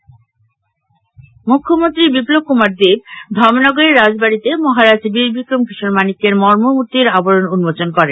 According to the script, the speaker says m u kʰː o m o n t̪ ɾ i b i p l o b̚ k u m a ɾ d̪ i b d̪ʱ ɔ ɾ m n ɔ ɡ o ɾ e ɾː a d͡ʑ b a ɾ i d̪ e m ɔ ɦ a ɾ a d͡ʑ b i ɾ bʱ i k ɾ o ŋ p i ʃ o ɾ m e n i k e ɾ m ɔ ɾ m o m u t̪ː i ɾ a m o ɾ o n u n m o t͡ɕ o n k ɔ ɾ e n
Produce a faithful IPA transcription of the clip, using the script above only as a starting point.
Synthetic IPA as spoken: m u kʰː o m o n t̪ ɾ i b i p l o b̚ k u m a ɾ d̪ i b d̪ʱ ɔ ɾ m n ɔ ɡ o ɾ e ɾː a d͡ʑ b a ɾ i t̪ e m ɔ ɦ a ɾ a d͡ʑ b i ɾ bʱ i k ɾ o ŋ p i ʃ o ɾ m a n i k e ɾ m ɔ ɾ m o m u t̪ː i ɾ a b o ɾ o n u n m o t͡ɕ o n k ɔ ɾ e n